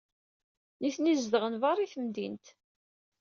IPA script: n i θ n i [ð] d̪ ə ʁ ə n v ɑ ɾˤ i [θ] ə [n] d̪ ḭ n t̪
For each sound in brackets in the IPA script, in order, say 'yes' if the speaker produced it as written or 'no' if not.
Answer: no, yes, no

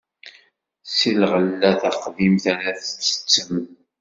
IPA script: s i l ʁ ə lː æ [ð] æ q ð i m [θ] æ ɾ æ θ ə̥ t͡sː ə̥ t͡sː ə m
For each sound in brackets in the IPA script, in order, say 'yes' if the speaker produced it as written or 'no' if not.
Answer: no, yes

